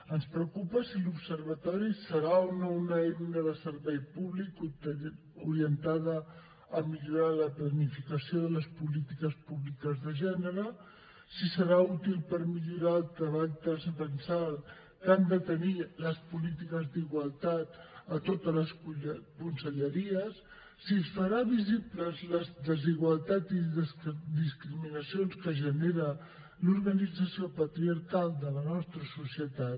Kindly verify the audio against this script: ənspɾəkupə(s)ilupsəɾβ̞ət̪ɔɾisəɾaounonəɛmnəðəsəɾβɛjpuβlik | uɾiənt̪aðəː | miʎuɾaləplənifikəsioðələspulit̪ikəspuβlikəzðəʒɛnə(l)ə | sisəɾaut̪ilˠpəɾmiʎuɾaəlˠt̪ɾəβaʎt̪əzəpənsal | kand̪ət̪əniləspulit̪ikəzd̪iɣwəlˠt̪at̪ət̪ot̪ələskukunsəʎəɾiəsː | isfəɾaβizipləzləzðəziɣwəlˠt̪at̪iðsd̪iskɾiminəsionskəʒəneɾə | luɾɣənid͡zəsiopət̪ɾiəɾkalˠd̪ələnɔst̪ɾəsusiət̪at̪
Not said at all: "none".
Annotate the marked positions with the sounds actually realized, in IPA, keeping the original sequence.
s, ɾ

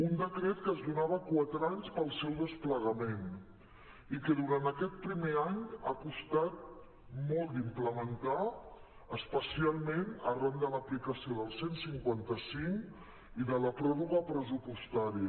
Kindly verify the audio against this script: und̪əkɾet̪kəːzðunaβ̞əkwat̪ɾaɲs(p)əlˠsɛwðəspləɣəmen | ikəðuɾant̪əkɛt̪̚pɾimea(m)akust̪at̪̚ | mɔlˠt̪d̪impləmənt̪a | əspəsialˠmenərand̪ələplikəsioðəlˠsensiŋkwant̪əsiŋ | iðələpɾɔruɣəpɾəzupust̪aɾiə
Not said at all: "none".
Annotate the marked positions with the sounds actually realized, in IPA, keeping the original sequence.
p, ɲ

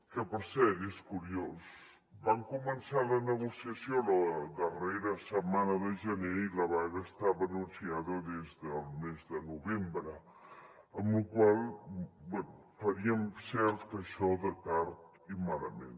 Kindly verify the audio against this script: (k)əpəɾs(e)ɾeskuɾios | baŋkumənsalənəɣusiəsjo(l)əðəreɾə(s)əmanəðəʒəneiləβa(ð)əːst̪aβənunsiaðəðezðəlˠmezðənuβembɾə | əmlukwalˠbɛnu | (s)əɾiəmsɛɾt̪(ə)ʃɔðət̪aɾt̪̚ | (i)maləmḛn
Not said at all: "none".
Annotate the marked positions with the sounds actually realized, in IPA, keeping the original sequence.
k, ɛ, l, s, ɣ, f, ə, i

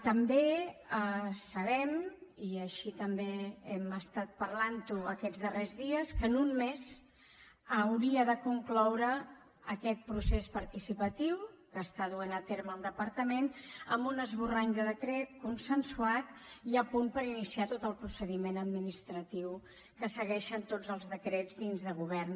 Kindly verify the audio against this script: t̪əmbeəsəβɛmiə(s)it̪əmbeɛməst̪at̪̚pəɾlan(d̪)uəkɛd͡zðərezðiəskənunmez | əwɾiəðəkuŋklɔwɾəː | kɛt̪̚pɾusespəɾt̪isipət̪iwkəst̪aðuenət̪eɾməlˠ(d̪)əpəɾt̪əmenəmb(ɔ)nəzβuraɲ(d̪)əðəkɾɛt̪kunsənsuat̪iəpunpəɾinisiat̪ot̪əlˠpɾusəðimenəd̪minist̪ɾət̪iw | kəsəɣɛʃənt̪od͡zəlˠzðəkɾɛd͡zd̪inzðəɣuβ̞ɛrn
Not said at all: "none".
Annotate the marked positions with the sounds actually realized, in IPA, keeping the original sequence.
ʃ, t̪, d̪, u, d̪

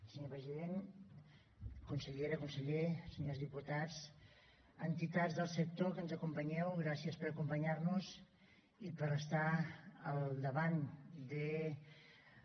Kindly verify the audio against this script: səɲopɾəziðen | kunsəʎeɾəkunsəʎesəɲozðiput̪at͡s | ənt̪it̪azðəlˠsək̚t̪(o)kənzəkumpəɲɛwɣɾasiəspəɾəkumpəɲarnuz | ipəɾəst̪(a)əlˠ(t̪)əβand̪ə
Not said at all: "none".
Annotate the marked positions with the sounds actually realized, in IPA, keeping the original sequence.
o, a, d̪

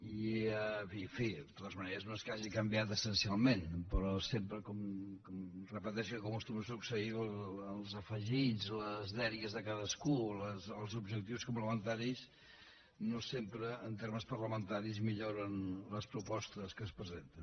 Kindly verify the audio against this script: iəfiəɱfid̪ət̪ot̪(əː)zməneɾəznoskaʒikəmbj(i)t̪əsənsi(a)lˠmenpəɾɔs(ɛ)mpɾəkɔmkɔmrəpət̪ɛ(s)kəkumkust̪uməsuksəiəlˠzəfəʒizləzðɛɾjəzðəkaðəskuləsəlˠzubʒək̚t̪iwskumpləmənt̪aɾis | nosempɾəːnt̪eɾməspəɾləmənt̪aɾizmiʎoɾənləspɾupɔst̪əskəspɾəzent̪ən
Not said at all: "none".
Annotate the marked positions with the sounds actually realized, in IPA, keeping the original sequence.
ə, a, a, e, ʃ

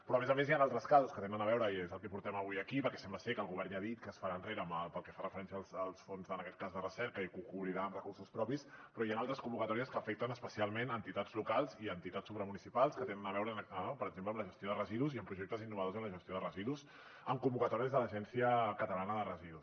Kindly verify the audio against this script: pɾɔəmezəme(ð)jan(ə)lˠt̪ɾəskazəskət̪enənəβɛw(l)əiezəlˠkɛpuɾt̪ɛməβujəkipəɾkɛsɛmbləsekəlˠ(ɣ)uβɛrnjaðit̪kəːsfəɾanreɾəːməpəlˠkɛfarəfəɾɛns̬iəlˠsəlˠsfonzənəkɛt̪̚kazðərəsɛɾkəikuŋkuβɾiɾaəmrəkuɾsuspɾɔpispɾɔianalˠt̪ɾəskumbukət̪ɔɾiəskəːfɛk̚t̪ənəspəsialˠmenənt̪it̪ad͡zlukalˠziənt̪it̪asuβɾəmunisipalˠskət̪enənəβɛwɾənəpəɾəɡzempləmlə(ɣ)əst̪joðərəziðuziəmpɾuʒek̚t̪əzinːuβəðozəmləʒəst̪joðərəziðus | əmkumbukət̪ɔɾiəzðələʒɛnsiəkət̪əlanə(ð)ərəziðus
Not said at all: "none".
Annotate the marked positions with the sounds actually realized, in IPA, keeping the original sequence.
z, a, ɾ, ɣ, ʒ, ð

